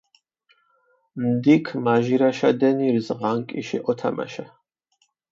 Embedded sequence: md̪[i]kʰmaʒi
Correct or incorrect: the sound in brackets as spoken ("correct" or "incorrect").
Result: correct